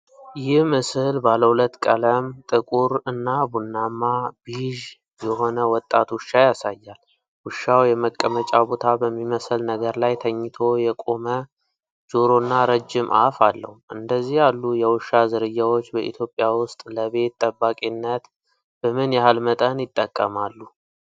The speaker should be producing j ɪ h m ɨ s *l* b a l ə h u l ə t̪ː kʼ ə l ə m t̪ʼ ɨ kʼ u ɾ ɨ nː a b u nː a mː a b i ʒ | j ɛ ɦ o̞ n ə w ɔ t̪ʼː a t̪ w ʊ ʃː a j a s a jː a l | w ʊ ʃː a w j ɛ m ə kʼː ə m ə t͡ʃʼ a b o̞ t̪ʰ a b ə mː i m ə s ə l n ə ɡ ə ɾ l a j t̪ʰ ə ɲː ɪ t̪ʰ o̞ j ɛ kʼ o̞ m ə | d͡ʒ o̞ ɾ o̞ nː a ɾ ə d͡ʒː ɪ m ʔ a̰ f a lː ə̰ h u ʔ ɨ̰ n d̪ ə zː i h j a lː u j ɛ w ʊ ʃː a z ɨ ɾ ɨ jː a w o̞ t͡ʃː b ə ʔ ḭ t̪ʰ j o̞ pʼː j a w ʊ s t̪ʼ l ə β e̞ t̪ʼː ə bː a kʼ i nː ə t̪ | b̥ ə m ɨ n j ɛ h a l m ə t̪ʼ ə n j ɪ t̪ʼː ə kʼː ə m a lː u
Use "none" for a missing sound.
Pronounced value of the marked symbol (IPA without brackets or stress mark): l